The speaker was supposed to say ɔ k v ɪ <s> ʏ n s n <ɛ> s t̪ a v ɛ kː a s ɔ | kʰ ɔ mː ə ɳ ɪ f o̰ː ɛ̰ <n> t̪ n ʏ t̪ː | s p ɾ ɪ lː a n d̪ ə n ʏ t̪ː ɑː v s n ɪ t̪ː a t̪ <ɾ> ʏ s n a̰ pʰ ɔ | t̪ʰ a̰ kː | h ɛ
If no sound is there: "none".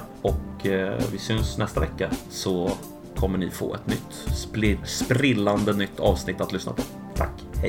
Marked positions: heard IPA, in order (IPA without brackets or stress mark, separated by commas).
s, ɛ, none, l